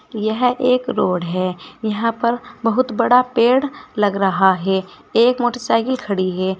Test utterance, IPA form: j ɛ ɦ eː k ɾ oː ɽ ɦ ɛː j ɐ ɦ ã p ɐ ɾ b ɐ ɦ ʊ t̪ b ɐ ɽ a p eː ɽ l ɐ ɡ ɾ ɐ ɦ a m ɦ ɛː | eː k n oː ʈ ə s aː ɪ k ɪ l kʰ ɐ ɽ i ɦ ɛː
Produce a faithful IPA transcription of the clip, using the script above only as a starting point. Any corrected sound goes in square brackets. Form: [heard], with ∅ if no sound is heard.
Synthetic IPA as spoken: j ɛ ɦ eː k ɾ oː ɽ ɦ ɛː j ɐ ɦ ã p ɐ ɾ b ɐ ɦ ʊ t̪ b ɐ ɽ a p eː ɽ l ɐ ɡ ɾ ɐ ɦ a [∅] ɦ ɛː | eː k [m] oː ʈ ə s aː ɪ k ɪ l kʰ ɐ ɽ i ɦ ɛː